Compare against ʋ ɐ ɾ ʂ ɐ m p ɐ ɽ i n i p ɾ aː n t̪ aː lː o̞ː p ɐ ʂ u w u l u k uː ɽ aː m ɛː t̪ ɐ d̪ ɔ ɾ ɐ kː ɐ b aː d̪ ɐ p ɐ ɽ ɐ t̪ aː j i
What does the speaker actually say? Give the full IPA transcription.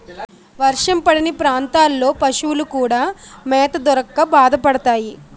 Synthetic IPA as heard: ʋ ɐ ɾ ʂ ɐ m p ɐ ɽ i n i p ɾ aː n t̪ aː lː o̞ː p ɐ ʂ u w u l u k uː ɽ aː m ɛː t̪ ɐ d̪ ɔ ɾ ɐ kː ɐ b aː d̪ ɐ p ɐ ɽ ɐ t̪ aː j i